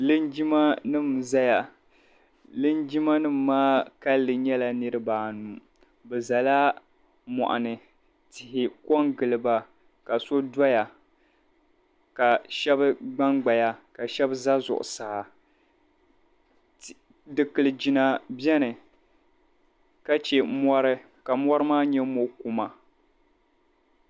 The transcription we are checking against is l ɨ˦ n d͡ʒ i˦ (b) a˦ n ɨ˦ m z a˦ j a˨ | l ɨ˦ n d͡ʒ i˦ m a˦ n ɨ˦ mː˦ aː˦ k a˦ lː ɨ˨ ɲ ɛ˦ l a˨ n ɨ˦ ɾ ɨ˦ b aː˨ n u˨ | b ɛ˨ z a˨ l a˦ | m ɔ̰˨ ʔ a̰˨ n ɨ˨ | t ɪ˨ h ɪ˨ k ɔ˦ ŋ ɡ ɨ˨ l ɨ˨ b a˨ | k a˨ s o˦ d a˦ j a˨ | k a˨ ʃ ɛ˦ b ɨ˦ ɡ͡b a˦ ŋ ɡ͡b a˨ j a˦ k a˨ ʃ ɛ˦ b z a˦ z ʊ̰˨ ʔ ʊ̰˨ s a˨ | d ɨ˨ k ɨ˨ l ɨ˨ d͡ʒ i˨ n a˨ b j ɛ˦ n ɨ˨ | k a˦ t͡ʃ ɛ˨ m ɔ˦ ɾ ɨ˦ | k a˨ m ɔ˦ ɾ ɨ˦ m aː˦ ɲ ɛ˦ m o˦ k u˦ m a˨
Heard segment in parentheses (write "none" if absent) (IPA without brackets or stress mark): m